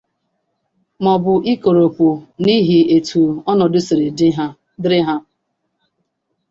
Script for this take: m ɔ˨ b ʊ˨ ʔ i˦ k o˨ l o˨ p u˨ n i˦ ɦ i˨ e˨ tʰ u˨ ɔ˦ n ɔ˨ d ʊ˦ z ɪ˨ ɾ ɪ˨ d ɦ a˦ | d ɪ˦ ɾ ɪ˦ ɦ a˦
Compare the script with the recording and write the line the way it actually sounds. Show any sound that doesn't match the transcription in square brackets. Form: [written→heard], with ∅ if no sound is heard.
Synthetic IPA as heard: m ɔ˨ b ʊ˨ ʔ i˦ k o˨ [l→ɾ] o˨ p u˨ n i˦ ɦ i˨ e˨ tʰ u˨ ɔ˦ n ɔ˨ d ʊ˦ [z→s] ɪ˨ ɾ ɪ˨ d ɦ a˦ | d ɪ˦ ɾ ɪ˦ ɦ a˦